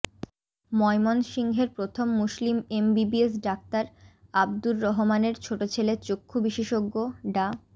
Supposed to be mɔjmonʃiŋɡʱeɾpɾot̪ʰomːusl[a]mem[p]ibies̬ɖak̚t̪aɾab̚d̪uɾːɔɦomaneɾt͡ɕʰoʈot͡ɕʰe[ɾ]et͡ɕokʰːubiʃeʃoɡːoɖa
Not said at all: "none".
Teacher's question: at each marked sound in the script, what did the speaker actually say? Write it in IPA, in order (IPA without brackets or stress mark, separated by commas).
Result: i, b, l